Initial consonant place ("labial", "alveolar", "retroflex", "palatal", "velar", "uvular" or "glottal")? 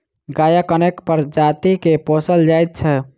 velar